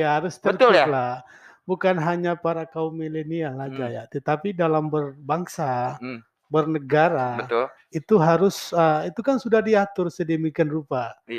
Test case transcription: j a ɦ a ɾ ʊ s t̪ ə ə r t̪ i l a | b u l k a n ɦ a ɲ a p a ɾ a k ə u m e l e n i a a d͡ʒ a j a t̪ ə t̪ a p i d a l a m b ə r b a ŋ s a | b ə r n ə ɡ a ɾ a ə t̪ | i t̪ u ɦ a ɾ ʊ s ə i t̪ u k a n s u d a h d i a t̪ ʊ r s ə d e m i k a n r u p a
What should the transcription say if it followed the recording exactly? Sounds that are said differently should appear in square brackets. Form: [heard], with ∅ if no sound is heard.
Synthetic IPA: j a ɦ a ɾ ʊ s t̪ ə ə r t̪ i l a | b u [∅] k a n ɦ a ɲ a p a ɾ a k [a] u m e l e n i a a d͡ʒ a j a t̪ ə t̪ a p i d a l a m b ə r b a ŋ s a | b ə r n ə ɡ a ɾ a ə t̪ | i t̪ u ɦ a ɾ ʊ s ə i t̪ u k a n s u d a h d i a t̪ ʊ r s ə d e m i k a n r u p a